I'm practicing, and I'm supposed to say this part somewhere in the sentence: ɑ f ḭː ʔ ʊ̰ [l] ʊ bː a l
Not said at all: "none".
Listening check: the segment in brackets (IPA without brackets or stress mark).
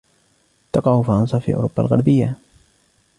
ɾ